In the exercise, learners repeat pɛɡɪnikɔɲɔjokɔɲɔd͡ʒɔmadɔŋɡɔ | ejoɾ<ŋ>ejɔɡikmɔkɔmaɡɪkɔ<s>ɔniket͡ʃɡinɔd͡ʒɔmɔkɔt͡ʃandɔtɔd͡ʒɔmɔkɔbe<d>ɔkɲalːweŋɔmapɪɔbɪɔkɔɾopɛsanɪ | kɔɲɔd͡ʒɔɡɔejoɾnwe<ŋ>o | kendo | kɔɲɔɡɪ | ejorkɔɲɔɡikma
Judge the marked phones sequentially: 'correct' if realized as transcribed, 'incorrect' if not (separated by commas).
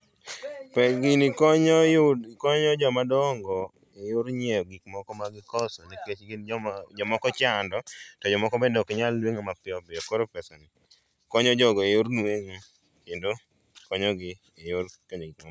incorrect, correct, correct, correct